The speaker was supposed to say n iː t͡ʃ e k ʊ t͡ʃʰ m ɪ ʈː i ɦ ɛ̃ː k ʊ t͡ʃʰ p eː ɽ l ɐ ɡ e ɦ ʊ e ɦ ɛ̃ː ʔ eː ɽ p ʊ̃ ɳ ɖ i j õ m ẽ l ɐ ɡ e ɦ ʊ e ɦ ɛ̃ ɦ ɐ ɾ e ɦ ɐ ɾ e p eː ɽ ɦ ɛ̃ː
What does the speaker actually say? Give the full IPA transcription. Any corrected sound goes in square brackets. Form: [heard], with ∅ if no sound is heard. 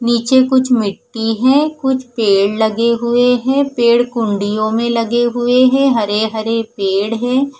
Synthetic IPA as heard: n iː t͡ʃ e k ʊ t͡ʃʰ m ɪ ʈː i ɦ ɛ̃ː k ʊ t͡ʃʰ p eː ɽ l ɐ ɡ e ɦ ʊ e ɦ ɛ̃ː [p] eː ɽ [k] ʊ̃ ɳ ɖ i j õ m ẽ l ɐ ɡ e ɦ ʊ e ɦ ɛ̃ ɦ ɐ ɾ e ɦ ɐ ɾ e p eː ɽ ɦ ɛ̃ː